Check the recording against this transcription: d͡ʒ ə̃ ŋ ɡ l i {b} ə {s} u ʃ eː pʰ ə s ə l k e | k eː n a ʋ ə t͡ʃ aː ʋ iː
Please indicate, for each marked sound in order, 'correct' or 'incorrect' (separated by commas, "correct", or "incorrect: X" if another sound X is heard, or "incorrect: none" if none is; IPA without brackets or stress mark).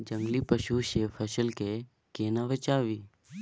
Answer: incorrect: p, incorrect: ʃ